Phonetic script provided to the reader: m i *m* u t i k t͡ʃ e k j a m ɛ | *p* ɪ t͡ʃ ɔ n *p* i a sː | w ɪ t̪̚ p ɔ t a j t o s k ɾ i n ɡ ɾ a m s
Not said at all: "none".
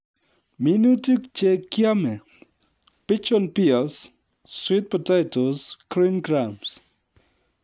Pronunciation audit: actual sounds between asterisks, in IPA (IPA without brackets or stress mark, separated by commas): n, p, p